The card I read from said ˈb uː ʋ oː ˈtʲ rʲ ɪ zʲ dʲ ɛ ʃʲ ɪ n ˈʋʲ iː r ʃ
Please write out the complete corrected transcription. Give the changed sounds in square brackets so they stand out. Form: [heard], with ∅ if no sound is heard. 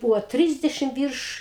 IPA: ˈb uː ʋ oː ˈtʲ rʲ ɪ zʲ dʲ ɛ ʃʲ ɪ [m] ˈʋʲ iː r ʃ